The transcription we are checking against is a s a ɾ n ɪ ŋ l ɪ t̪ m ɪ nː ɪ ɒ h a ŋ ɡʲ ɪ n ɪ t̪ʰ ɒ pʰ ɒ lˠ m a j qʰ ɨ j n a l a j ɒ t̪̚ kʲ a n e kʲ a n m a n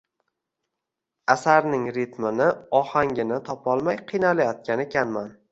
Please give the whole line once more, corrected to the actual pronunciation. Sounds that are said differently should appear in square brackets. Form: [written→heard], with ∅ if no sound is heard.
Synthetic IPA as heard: a s a ɾ n ɪ ŋ [l→ɾ] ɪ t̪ m ɪ [nː→n] ɪ ɒ h a ŋ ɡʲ ɪ n ɪ t̪ʰ ɒ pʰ ɒ lˠ m a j qʰ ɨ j n a l a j ɒ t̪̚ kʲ a n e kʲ a n m a n